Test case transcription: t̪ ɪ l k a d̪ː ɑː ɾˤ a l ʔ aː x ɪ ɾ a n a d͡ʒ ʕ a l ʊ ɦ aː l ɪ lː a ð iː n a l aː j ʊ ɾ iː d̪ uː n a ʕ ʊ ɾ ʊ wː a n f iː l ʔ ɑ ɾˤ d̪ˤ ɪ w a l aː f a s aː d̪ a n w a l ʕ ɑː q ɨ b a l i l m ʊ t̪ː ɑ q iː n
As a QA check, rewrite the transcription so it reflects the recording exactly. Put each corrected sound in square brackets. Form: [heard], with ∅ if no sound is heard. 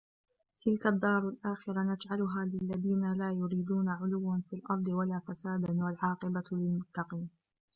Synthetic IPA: t̪ ɪ l k a d̪ː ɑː ɾˤ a l ʔ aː x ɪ ɾ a n a d͡ʒ ʕ a l ʊ ɦ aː l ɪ lː a ð iː n a l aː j ʊ ɾ iː d̪ uː n a ʕ ʊ [l] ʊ wː a n f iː l ʔ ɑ ɾˤ d̪ˤ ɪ w a l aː f a s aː d̪ a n w a l ʕ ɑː q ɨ b a l [ɪ] l m ʊ t̪ː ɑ q iː n